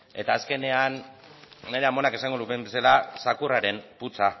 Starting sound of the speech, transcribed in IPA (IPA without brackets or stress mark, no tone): e̞